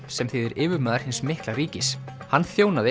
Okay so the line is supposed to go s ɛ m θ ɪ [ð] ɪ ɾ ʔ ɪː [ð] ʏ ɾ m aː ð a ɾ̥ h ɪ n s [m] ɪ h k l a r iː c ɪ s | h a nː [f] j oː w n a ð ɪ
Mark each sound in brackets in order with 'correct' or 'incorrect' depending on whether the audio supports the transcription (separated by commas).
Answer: correct, incorrect, correct, incorrect